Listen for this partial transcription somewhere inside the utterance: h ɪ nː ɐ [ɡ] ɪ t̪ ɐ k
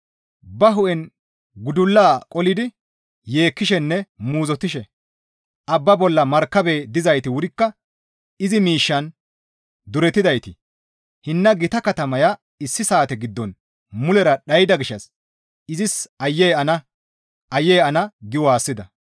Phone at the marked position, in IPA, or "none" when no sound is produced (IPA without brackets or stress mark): ɡ